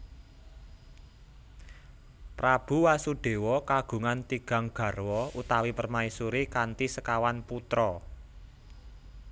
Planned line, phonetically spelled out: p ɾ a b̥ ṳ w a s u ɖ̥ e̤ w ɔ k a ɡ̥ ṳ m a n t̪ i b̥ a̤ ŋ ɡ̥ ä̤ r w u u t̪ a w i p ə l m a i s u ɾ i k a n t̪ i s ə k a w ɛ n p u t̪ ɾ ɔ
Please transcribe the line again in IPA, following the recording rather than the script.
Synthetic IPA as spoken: p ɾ a b̥ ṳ w a s u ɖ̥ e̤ w ɔ k a ɡ̥ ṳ ŋ a n t̪ i ɡ̥ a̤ ŋ ɡ̥ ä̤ r w ɔ u t̪ a w i p ə r m a i s u ɾ i k a n t̪ i s ə k a w a n p u t̪ ɾ ɔ

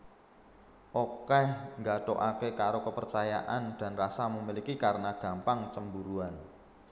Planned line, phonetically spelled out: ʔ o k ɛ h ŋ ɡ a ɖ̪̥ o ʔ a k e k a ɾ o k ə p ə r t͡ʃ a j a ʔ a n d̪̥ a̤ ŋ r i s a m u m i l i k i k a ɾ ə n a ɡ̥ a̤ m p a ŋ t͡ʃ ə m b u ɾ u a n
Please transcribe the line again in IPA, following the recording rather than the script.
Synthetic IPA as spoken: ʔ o k ɛ h ŋ ɡ a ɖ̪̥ o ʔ a k e k a ɾ o k ə p ə r t͡ʃ a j a ʔ a n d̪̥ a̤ n r a s a m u m i l i k i k a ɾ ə n a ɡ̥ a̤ m p a ŋ t͡ʃ ə m b u ɾ u a n

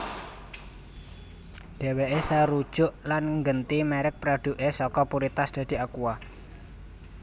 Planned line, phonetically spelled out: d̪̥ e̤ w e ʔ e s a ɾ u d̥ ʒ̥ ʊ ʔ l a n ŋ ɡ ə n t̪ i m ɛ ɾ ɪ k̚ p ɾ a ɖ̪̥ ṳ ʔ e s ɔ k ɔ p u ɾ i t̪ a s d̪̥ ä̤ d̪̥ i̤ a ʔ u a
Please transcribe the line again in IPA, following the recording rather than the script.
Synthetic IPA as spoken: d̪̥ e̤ w e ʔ e s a ɾ u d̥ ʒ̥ ʊ ʔ l a n ŋ ɡ ə n t̪ i m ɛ ɾ ɪ k̚ p ɾ a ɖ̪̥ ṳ ʔ e s ɔ k ɔ p u ɾ i t̪ a s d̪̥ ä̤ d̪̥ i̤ a k u a

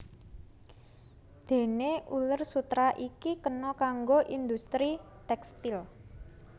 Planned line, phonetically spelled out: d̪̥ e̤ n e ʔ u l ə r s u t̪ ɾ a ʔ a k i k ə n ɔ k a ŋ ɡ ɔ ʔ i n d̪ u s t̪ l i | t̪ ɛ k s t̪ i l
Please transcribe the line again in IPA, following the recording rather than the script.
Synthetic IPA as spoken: d̪̥ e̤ n e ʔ u l ə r s u t̪ ɾ a ʔ i k i k ə n ɔ k a ŋ ɡ o ʔ i n d̪ u s t̪ ɾ i | t̪ ɛ k s t̪ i l

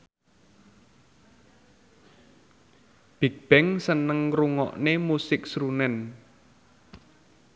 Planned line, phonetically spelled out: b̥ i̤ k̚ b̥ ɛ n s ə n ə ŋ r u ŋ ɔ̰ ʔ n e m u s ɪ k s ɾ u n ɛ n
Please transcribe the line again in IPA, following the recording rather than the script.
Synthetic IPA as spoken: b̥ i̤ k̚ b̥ ɛ ŋ s ə n ə ŋ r u ŋ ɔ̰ ʔ n e m u s ɪ k s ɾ u n ɛ n

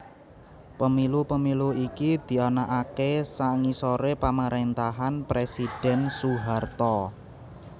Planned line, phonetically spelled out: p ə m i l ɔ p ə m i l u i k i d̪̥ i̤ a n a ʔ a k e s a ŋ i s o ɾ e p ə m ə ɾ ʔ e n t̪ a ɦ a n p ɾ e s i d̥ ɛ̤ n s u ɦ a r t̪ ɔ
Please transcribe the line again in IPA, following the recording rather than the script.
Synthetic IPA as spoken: p ə m i l u p ə m i l u i k i d̪̥ i̤ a n a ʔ a k e s a ŋ i s o ɾ e p a m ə ɾ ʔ e n t̪ a ɦ a n p ɾ e s i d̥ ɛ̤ n s u ɦ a r t̪ ɔ

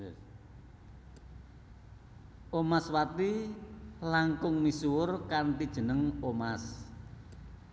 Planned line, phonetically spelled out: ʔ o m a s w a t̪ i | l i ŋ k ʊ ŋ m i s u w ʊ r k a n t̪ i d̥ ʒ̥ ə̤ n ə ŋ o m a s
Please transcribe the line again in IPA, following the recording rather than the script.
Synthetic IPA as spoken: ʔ o m a s w a t̪ i | l a ŋ k ʊ ŋ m i s u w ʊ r k a n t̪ i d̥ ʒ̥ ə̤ n ə ŋ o m a s

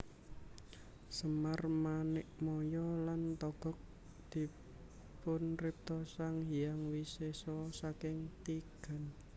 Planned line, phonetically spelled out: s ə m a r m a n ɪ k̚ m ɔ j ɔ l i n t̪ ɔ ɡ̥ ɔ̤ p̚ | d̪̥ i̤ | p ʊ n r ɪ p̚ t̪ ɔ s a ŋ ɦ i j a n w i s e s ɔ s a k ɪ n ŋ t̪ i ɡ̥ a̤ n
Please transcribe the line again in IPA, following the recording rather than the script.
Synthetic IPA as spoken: s ə m a r m a n ɪ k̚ m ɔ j ɔ l a n t̪ ɔ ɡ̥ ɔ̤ k̚ | d̪̥ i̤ | p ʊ n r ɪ p̚ t̪ ɔ s a ŋ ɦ i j a ŋ w i s e s ɔ s a k ɪ ŋ t̪ i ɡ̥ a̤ n

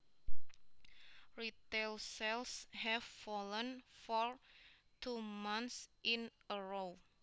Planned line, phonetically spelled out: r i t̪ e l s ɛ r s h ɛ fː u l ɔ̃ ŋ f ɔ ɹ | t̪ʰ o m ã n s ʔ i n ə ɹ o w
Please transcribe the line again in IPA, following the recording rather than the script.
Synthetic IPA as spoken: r i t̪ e l s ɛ l s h ɛ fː ɔ l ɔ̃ n f ɔ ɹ | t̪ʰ u m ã n s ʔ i n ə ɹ o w

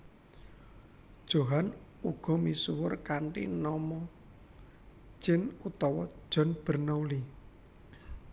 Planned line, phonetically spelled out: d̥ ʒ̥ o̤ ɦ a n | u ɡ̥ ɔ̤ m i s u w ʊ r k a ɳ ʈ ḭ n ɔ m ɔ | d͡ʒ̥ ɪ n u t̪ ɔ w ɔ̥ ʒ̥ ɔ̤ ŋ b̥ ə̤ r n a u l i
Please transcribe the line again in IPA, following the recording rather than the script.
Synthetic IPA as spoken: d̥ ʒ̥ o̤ ɦ a n | u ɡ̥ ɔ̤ m i s u w ʊ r k a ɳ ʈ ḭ n ɔ m ɔ | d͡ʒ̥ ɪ n u t̪ ɔ w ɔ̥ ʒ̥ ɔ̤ n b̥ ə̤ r n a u l i

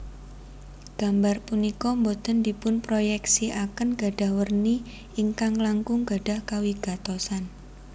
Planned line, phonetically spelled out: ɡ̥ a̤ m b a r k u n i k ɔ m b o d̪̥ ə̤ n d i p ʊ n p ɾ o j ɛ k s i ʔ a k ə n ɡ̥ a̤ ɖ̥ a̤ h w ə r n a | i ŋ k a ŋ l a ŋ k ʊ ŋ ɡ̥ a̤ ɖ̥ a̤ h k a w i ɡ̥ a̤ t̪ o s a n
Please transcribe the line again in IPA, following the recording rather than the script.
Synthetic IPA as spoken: ɡ̥ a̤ m b a r p u n i k ɔ m b o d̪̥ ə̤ n d i p ʊ n p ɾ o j ɛ k s i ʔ a k ə n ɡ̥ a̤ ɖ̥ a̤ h w ə r n i | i ŋ k a ŋ l a ŋ k ʊ ŋ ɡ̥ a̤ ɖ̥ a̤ h k a w i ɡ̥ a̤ t̪ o s a n

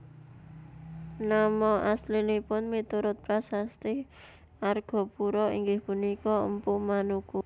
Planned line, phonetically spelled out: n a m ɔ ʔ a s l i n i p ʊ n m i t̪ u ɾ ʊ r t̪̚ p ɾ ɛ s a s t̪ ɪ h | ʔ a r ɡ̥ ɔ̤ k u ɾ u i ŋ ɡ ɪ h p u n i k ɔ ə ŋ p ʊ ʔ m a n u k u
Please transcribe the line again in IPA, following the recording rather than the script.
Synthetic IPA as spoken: n a m ɔ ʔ a s l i n i p ʊ n m i t̪ u ɾ ʊ t̪̚ p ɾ a s a s t̪ ɪ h | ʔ a r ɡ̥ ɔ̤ p u ɾ ɔ i ŋ ɡ ɪ h p u n i k ɔ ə m p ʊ ʔ m a n u k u

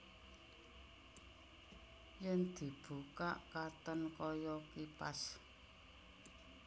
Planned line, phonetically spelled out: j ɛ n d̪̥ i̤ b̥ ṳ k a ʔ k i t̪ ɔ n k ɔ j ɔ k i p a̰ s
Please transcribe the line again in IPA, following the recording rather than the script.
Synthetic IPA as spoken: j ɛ n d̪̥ i̤ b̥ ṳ k a ʔ k a t̪ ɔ n k ɔ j ɔ k i p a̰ s

